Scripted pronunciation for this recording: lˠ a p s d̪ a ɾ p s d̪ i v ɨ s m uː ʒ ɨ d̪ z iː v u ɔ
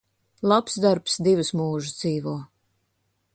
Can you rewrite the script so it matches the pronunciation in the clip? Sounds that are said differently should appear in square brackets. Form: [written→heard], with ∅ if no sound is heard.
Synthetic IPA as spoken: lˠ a p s d̪ a ɾ p s d̪ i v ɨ s m uː ʒ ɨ d̪ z iː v u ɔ